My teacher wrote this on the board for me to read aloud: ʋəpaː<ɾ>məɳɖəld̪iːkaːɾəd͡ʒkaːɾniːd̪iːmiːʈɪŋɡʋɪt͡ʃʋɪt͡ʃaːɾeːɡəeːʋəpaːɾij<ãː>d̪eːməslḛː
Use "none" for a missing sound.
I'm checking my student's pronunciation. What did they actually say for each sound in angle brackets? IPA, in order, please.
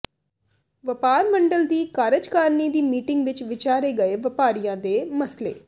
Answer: ɾ, ãː

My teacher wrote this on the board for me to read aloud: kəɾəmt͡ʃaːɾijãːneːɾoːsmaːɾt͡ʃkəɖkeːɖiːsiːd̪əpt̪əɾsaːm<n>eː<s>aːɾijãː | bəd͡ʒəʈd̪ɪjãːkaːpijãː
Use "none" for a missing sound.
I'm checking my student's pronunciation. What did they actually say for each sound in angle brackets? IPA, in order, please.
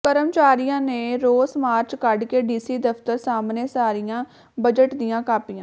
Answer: n, s

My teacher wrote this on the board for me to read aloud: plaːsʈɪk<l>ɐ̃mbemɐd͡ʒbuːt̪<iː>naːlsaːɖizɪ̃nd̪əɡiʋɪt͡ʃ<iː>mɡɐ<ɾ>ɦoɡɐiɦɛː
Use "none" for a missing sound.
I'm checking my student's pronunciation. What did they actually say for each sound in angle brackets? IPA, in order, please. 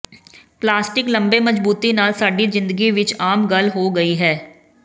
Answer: l, i, aː, l

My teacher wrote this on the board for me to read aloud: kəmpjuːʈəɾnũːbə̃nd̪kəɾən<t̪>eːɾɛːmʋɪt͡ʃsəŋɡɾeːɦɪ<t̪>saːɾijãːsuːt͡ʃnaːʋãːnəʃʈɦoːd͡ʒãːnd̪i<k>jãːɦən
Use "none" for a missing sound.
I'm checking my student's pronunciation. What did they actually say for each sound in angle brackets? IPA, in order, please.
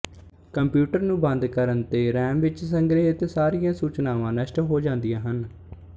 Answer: t̪, t̪, none

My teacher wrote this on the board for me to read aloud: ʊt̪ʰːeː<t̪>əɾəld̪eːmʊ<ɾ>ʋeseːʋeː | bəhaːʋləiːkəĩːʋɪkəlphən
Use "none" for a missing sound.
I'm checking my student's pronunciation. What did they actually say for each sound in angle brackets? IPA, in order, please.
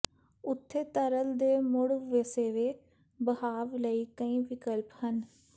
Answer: t̪, ɽ

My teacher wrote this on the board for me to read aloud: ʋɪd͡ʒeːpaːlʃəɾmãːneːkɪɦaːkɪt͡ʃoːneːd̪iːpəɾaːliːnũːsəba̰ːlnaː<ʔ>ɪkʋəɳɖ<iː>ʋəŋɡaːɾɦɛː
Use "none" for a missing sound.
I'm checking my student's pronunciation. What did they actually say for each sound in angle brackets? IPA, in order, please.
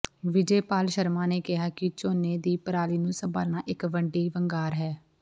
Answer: ʔ, iː

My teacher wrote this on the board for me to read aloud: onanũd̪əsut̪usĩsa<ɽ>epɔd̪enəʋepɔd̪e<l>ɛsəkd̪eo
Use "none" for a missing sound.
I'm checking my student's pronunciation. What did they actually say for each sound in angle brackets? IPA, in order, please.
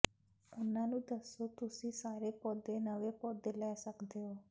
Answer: ɾ, l

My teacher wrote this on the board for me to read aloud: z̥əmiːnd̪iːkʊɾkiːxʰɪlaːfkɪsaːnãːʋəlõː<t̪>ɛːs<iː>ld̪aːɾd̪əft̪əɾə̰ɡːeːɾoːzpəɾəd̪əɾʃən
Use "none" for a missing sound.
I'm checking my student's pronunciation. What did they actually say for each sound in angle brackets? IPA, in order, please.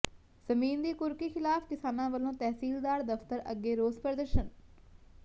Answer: t̪, iː

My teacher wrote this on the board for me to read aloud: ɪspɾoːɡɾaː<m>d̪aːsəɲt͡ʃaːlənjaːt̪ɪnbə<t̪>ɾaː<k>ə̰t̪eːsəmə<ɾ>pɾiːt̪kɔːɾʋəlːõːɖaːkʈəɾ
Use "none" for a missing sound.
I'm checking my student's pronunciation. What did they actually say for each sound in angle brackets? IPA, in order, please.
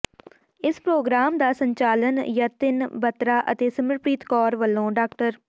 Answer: m, t̪, ʔ, ɾ

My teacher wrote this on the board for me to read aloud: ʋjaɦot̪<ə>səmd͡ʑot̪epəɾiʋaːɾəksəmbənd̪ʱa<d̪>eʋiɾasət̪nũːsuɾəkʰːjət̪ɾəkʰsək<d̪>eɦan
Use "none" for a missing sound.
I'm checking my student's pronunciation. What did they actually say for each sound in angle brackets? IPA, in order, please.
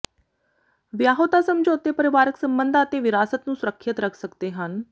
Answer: a, t̪, t̪

